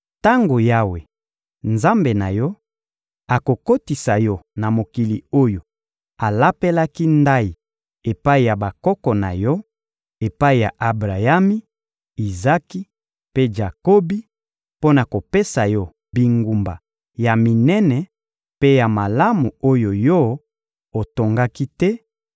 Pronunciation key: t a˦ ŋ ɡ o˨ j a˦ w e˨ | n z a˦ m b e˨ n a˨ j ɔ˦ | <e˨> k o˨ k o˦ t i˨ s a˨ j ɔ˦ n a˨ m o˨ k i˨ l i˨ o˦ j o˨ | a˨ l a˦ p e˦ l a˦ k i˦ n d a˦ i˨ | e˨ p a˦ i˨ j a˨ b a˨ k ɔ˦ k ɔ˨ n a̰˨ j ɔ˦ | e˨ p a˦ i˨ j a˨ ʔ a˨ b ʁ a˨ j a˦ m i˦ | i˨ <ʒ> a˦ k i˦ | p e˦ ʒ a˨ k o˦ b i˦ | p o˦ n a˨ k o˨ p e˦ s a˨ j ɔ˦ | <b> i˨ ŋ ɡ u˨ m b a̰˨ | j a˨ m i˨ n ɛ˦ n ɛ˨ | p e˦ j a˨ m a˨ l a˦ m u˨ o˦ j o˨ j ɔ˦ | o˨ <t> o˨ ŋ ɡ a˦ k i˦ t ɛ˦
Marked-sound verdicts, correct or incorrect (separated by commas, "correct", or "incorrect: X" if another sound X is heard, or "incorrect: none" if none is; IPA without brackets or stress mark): incorrect: a˨, incorrect: z, correct, correct